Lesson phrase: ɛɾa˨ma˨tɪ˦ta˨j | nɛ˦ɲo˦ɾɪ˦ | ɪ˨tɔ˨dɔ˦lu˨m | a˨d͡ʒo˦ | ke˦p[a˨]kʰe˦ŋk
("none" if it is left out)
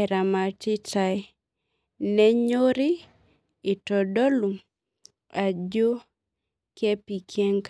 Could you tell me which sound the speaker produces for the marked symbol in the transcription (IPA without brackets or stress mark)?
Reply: i˨